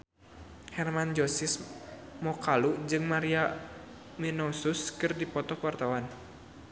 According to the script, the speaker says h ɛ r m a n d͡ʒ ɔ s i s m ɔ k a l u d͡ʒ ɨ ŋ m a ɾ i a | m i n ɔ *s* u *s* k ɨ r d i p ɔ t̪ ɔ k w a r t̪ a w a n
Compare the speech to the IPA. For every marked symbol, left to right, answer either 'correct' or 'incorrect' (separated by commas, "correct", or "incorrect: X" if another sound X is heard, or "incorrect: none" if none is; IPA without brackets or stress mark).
correct, correct